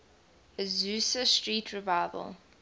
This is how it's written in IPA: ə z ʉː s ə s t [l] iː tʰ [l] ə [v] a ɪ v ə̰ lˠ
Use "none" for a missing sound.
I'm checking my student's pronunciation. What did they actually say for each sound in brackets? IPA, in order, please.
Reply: ɹ, ɹ, v

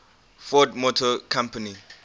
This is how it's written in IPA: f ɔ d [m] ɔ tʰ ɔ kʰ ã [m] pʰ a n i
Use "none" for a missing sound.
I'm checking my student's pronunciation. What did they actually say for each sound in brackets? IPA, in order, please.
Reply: m, m

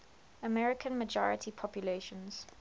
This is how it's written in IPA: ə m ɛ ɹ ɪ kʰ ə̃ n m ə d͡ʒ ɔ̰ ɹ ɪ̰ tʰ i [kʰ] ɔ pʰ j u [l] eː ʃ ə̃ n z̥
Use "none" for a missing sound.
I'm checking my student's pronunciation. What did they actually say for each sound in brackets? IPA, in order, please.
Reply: pʰ, l

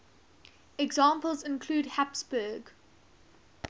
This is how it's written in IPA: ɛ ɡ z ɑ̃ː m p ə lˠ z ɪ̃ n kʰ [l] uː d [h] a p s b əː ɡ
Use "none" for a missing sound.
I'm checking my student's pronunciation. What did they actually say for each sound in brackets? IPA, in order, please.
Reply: l, h

